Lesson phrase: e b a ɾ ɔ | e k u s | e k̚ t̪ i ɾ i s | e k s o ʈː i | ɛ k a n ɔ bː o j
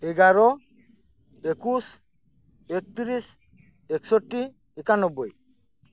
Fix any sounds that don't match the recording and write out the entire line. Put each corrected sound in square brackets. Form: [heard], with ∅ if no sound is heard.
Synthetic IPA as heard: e [ɡ] a ɾ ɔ | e k u s | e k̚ t̪ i ɾ i s | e k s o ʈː i | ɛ k a n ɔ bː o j